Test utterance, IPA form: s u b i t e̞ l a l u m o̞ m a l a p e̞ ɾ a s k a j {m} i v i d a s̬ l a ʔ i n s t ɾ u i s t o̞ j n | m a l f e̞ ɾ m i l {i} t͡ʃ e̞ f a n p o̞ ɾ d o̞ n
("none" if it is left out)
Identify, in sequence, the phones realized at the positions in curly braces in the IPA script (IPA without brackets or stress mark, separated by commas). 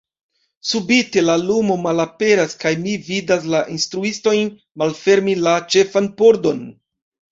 m, a